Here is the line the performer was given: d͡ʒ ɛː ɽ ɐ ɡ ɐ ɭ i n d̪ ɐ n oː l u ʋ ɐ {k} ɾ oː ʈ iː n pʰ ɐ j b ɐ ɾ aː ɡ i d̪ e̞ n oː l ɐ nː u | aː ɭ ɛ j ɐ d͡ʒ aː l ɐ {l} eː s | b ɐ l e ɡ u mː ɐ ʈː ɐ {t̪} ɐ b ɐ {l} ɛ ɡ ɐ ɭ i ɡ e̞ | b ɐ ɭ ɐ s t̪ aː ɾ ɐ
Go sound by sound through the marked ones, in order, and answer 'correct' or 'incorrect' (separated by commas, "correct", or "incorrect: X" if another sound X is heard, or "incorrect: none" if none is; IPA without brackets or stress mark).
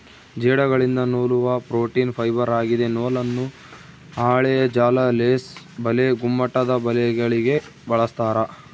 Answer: incorrect: p, correct, incorrect: d̪, correct